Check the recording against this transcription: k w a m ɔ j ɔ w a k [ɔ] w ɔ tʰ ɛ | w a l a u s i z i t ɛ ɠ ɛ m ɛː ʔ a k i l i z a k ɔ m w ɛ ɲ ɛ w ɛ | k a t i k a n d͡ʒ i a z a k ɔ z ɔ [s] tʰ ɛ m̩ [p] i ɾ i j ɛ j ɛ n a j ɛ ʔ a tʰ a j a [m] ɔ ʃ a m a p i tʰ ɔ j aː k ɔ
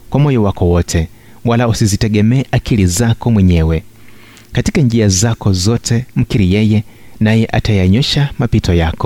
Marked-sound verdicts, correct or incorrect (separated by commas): correct, incorrect, incorrect, incorrect